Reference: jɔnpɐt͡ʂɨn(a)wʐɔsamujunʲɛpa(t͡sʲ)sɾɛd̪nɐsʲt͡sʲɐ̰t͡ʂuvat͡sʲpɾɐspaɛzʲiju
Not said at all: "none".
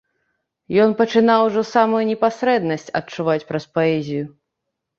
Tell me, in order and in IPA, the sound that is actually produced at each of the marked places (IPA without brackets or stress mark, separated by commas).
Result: a, none